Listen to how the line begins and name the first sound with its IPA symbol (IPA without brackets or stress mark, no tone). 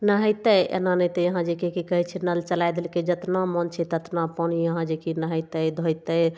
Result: n